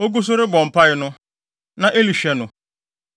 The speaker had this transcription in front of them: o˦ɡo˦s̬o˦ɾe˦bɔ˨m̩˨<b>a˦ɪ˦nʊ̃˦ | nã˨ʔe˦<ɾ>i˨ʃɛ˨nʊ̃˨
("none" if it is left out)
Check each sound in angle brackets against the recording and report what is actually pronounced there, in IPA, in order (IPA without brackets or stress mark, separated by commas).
p, l